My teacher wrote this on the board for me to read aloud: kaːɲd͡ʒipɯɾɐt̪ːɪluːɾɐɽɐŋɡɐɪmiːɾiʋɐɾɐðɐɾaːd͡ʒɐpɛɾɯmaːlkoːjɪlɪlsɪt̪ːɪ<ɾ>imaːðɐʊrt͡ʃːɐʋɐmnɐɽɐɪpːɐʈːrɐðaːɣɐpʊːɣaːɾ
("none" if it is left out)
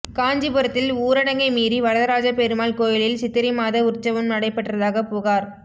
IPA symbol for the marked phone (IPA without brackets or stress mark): ɾ